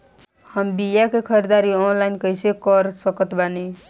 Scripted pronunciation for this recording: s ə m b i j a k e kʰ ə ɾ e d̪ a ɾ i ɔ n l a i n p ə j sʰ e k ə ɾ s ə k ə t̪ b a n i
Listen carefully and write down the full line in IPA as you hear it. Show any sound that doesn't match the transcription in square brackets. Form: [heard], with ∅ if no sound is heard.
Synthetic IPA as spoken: [h] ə m b i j a k e kʰ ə ɾ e d̪ a ɾ i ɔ n l a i n [k] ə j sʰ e k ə ɾ s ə k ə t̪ b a n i